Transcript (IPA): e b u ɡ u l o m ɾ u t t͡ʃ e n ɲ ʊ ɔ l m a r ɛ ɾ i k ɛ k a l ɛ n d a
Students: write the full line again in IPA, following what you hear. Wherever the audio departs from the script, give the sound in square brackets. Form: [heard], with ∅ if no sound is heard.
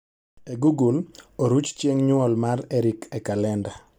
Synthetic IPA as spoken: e [ɡ] u ɡ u l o [∅] ɾ u [t͡ʃ] t͡ʃ e [ŋ] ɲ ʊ ɔ l m a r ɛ ɾ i k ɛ k a l ɛ n d a